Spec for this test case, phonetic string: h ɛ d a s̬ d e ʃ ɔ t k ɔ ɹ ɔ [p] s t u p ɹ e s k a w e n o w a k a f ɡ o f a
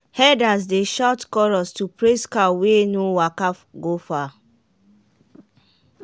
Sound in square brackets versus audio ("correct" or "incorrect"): incorrect